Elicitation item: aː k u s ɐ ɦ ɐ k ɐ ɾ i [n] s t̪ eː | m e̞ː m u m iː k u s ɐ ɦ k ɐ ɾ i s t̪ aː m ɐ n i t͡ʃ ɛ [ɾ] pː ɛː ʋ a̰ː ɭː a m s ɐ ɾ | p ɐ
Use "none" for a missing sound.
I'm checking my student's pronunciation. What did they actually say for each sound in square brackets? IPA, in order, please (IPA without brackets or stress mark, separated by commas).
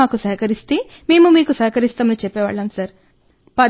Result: none, none